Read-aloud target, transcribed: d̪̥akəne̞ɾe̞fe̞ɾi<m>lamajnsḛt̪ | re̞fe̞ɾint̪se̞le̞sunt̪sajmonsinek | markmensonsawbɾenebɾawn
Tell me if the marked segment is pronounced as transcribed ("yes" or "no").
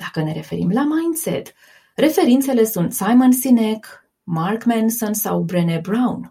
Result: yes